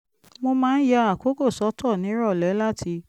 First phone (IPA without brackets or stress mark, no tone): m